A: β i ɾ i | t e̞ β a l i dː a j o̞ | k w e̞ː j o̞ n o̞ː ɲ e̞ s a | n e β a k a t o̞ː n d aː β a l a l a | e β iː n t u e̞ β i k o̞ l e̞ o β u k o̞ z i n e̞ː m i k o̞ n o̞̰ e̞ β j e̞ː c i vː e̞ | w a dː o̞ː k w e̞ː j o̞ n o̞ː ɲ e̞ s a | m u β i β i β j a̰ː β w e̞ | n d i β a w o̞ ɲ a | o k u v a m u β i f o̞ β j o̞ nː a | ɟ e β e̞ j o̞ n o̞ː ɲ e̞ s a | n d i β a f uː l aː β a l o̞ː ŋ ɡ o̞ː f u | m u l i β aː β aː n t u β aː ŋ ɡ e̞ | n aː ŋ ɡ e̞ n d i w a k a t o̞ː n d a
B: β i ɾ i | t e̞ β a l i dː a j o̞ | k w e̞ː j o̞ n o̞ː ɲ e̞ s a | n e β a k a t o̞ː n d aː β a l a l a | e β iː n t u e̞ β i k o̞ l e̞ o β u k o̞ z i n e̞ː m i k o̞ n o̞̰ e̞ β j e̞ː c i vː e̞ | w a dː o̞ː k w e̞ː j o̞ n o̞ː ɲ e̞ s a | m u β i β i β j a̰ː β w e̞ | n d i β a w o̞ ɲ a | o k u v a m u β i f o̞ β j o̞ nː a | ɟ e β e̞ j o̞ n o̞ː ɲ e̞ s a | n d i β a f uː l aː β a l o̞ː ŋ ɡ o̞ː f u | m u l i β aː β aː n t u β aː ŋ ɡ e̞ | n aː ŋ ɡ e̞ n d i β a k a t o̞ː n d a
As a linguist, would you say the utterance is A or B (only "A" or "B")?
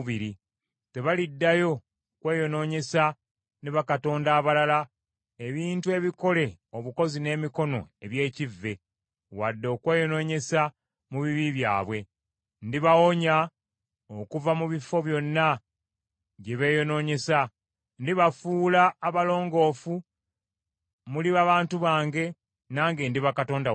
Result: B